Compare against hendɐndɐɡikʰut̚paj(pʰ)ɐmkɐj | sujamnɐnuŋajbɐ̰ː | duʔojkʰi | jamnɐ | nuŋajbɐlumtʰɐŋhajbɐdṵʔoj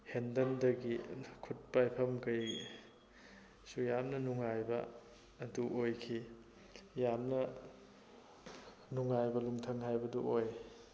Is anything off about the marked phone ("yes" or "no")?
no